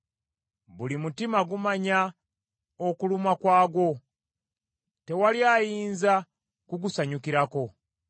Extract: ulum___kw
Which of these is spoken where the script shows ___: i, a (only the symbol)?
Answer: a